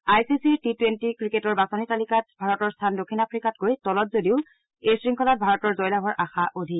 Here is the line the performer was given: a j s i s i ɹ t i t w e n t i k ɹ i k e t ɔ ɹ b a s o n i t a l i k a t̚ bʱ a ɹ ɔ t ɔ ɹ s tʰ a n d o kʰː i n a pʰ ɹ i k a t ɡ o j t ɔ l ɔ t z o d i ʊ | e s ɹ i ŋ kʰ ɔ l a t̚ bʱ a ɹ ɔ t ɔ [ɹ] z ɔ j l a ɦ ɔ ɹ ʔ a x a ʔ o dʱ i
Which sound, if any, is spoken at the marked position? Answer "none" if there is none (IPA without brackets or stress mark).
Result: ɹ